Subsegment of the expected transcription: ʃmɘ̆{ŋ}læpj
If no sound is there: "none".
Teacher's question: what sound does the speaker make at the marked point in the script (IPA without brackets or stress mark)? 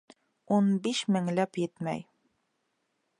ŋ